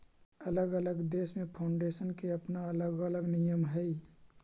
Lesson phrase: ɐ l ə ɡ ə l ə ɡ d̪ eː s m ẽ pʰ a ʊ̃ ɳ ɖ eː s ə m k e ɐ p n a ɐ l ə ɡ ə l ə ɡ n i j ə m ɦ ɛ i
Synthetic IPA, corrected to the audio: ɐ l ə ɡ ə l ə ɡ d̪ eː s m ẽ pʰ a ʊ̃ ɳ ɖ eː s ə n k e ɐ p n a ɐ l ə ɡ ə l ə ɡ n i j ə m ɦ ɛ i

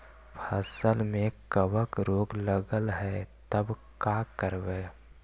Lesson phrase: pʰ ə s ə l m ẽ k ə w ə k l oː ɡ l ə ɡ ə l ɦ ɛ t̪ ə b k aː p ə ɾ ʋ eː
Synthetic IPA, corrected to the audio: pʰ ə s ə l m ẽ k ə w ə k ɾ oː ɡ l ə ɡ ə l ɦ ɛ t̪ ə b k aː k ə ɾ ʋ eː

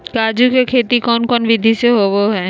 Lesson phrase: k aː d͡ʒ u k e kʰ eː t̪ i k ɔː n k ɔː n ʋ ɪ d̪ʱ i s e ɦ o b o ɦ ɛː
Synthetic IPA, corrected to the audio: k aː d͡ʒ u k e kʰ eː t̪ i k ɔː n k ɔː n ʋ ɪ d̪ʱ i s e ɦ o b o ɦ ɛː

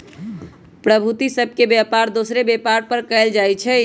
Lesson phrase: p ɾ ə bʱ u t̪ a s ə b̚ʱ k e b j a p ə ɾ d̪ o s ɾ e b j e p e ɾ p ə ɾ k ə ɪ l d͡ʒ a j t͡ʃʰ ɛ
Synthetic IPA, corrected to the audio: p ɾ ə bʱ u t̪ i s ə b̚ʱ k e b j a p a ɾ d̪ o s ɾ e b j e p a ɾ p ə ɾ k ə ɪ l d͡ʒ a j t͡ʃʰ ɛ

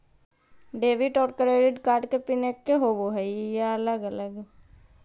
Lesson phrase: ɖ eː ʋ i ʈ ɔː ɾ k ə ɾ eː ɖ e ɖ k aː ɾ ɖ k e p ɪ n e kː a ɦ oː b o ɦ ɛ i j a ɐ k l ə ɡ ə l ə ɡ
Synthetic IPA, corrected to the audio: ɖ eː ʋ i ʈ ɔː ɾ k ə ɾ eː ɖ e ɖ k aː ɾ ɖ k e p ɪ n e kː e ɦ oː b o ɦ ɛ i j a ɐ l ə ɡ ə l ə ɡ

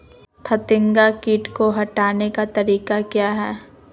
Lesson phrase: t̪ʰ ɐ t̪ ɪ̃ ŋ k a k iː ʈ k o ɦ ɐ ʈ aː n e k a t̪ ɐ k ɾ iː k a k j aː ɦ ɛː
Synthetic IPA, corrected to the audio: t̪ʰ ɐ t̪ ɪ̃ ŋ ɡ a k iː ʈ k o ɦ ɐ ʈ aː n e k a t̪ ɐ ɾ iː k a k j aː ɦ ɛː

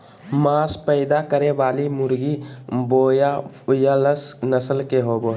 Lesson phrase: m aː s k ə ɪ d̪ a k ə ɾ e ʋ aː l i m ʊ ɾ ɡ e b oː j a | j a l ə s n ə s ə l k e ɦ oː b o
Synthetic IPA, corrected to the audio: m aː s p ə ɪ d̪ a k ə ɾ e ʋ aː l i m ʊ ɾ ɡ i b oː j a | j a l ə s n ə s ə l k e ɦ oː b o

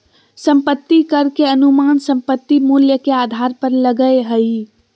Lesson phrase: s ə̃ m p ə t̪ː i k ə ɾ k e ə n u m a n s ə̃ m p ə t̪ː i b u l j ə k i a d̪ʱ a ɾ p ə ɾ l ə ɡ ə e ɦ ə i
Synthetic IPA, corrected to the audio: s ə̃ m p ə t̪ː i k ə ɾ k e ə n u m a n s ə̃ m p ə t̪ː i m u l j ə k e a d̪ʱ a ɾ p ə ɾ l ə ɡ ə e ɦ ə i

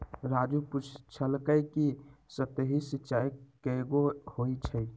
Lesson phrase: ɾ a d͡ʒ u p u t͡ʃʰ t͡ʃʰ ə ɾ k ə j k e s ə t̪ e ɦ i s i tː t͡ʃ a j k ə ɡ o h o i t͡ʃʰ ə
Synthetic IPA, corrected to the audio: ɾ a d͡ʒ u p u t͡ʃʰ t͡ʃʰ ə l k ə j k i s ə t̪ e ɦ i s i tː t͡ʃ a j k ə ɡ o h o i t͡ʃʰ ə

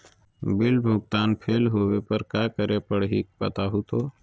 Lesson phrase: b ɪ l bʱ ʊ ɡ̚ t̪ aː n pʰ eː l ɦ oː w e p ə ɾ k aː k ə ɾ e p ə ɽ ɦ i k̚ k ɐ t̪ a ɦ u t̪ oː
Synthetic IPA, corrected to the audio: b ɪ l bʱ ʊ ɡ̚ t̪ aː n pʰ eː l ɦ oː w e p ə ɾ k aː k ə ɾ e p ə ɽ ɦ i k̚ p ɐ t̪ a ɦ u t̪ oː

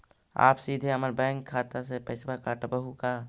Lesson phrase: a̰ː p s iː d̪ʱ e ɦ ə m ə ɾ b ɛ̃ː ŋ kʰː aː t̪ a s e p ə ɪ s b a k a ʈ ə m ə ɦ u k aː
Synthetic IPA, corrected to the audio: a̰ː p s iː d̪ʱ e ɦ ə m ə ɾ b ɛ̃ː ŋ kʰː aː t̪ a s e p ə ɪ s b a k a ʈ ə b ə ɦ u k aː

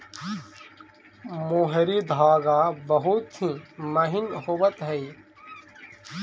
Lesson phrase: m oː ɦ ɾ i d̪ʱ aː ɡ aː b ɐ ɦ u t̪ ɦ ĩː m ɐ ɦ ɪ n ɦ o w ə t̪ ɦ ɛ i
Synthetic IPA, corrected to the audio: m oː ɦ ɾ i d̪ʱ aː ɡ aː b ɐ ɦ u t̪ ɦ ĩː m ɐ ɦ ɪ n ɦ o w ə t̪ ɦ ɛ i

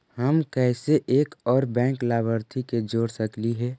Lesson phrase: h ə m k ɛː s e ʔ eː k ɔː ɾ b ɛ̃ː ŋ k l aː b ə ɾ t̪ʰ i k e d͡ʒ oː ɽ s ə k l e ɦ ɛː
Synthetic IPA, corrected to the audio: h ə m k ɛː s e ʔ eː k ɔː ɾ b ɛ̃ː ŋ k l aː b ə ɾ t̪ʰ i k e d͡ʒ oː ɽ s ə k l i ɦ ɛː

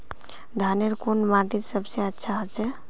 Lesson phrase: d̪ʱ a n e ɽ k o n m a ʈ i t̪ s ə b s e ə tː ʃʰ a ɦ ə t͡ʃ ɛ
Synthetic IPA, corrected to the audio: d̪ʱ a n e ɾ k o n m a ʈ i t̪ s ə b s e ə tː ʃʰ a ɦ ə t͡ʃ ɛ

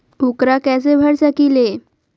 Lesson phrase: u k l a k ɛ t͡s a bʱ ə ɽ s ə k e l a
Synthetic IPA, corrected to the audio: u k ɾ a k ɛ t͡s e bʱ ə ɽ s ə k i l e

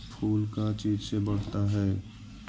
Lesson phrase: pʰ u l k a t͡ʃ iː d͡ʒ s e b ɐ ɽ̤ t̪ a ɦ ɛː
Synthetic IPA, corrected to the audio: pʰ uː l k a t͡ʃ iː d͡ʒ s e b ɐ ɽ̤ t̪ a ɦ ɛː

